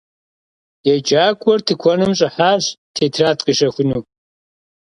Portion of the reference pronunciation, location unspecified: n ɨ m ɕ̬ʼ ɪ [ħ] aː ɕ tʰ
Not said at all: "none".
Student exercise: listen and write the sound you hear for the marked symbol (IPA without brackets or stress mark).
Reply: ħ